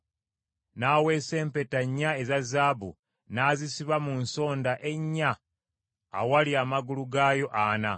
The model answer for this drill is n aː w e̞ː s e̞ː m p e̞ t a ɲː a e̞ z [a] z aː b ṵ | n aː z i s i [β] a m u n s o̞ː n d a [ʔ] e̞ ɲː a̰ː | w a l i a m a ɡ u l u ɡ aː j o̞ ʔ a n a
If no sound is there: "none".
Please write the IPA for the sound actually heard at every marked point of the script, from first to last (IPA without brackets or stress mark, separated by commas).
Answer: a, β, ʔ